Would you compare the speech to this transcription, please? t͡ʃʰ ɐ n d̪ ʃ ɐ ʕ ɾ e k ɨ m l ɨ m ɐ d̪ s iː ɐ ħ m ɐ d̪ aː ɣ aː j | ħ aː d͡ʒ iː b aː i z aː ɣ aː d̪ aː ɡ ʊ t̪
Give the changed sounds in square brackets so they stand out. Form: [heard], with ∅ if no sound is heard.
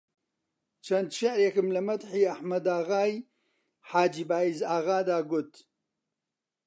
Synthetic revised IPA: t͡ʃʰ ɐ n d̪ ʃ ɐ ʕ ɾ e k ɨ m l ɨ m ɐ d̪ [ħ] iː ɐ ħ m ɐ d̪ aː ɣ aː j | ħ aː d͡ʒ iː b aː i z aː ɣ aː d̪ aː ɡ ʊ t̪